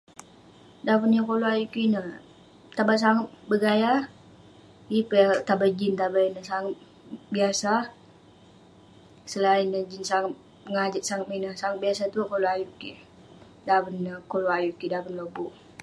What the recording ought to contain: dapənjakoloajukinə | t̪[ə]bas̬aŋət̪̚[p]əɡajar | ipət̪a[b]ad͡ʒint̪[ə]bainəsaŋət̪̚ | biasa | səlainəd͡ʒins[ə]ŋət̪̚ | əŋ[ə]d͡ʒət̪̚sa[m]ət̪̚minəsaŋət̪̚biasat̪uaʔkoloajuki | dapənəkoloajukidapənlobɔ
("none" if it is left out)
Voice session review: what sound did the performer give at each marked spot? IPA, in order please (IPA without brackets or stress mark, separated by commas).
a, b, b, a, a, a, ŋ